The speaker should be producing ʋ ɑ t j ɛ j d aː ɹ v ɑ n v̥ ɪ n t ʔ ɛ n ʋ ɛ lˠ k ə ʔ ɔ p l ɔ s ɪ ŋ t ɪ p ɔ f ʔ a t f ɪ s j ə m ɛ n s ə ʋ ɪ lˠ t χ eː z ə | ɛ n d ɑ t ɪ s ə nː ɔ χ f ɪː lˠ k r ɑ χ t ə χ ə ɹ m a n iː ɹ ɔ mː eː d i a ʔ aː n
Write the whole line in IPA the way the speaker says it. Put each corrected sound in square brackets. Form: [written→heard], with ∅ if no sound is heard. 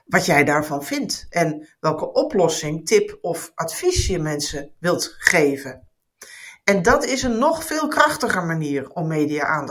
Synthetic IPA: ʋ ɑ t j ɛ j d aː ɹ v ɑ n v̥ ɪ n t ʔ ɛ n ʋ ɛ lˠ k ə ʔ ɔ p l ɔ s ɪ ŋ t ɪ p ɔ f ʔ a t f [ɪ→i] s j ə m ɛ n s ə ʋ ɪ lˠ t χ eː [z→v] ə | ɛ n d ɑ t ɪ s ə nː ɔ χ f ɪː lˠ k r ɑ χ t ə χ ə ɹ m a n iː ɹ ɔ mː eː d i a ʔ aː n